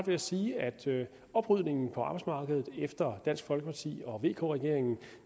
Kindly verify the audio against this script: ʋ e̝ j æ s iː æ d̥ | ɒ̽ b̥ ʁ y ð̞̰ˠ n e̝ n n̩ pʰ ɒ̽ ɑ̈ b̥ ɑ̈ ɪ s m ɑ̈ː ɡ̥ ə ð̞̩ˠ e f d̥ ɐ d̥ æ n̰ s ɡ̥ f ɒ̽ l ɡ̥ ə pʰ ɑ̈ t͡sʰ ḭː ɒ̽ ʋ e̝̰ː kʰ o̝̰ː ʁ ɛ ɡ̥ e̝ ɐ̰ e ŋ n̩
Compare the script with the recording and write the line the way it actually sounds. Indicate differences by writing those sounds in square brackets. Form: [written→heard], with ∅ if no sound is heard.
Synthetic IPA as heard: ʋ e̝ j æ s iː æ d̥ | ɒ̽ b̥ ʁ y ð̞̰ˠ n e̝ [n→ŋ] n̩ pʰ ɒ̽ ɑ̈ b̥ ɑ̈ ɪ s m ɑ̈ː ɡ̥ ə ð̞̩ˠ e f d̥ ɐ d̥ æ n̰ s ɡ̥ f ɒ̽ l ɡ̥ ə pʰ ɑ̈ t͡sʰ ḭː ɒ̽ ʋ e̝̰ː kʰ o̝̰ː ʁ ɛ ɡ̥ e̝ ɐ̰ e ŋ n̩